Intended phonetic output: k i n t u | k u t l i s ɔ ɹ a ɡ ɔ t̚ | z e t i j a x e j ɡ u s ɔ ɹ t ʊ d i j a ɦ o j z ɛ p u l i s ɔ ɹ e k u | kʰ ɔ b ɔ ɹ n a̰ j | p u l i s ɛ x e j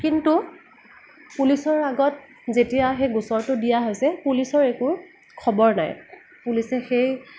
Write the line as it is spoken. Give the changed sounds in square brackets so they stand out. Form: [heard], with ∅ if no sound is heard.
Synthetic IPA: k i n t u | [p] u [∅] l i s ɔ ɹ a ɡ ɔ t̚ | z e t i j a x e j ɡ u s ɔ ɹ t ʊ d i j a ɦ o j [s] ɛ p u l i s ɔ ɹ e k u | kʰ ɔ b ɔ ɹ n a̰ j | p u l i s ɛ x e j